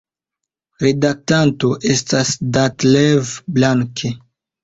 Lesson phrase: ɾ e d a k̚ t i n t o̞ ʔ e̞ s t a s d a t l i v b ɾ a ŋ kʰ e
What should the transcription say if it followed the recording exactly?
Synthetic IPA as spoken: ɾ e d a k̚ t a n t o̞ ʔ e̞ s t a s d a t l e v b l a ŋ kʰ e